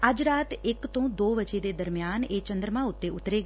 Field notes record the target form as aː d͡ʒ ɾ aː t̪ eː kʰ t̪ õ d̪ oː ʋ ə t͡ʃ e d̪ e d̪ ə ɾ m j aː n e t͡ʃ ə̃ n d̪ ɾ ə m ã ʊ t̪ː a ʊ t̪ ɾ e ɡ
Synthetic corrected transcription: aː d͡ʒ ɾ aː t̪ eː k t̪ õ d̪ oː ʋ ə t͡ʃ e d̪ e d̪ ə ɾ m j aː n e t͡ʃ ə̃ n d̪ ɾ ə m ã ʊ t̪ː e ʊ t̪ ɾ e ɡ